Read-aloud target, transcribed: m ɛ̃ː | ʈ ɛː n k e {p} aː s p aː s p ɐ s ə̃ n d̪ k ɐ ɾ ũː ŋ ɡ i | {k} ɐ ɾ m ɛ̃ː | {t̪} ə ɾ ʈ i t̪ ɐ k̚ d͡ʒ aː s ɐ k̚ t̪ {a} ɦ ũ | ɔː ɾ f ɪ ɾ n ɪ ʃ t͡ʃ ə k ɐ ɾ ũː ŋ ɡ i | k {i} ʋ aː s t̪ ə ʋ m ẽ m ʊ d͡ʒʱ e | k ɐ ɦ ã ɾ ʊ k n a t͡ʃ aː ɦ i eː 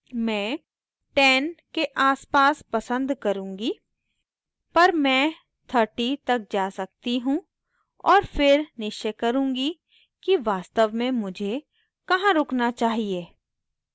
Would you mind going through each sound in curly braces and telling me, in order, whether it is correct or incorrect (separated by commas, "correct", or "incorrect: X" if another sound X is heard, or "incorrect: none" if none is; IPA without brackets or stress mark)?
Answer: incorrect: ʔ, incorrect: p, incorrect: t̪ʰ, incorrect: i, correct